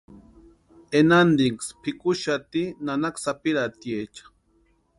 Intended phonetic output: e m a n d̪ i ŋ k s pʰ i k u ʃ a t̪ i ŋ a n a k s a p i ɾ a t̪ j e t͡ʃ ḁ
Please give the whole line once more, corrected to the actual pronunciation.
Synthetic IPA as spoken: e n a n d̪ i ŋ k s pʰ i k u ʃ a t̪ i n a n a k s a p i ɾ a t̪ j e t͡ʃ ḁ